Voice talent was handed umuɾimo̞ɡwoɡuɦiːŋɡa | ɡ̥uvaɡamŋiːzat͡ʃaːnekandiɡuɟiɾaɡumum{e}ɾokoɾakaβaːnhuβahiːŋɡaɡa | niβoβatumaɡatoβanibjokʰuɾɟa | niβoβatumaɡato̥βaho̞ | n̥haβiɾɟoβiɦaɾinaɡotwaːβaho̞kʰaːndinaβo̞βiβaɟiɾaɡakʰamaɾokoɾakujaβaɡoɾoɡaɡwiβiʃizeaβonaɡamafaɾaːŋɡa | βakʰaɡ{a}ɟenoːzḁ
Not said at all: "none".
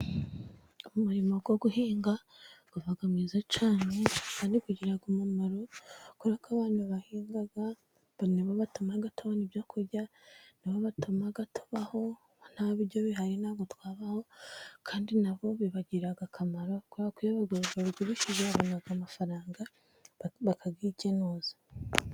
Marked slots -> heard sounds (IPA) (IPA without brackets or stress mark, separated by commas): a, i